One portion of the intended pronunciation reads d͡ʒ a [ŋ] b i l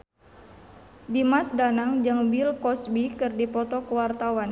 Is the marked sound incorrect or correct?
correct